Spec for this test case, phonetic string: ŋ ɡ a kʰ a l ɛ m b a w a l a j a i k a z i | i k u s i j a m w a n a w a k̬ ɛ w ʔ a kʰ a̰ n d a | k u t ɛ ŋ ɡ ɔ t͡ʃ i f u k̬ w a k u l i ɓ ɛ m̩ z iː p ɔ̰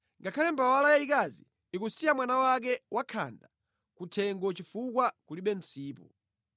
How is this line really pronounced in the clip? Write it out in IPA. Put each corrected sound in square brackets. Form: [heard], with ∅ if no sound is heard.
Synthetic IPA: ŋ ɡ a kʰ a l ɛ m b a w a l a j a i k a z i | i k u s i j a m w a n a w a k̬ ɛ w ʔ a kʰ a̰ n d a | k u [tʰ] ɛ ŋ ɡ ɔ t͡ʃ i f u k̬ w a k u l i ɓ ɛ m̩ [s] iː p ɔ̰